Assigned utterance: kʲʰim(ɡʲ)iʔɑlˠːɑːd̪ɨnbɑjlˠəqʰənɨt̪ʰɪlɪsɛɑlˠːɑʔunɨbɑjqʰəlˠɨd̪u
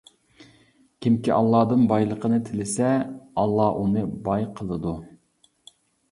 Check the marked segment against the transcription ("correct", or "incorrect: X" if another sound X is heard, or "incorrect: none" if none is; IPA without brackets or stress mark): incorrect: kʲ